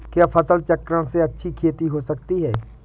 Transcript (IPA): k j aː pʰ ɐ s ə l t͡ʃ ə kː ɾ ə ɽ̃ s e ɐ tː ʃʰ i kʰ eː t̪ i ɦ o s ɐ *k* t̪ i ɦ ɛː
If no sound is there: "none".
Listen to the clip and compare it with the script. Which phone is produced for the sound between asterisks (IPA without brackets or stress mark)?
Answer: k